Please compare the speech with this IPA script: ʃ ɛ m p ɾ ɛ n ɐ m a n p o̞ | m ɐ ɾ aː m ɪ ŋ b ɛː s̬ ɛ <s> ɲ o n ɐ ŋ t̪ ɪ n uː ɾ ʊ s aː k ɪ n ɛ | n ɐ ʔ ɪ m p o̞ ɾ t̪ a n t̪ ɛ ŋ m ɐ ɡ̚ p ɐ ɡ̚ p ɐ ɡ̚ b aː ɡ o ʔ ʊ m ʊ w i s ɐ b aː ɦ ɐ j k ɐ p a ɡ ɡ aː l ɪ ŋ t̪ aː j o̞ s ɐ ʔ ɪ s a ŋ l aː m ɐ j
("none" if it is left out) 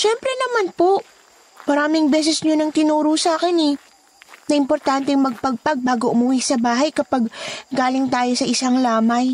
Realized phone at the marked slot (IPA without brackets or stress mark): s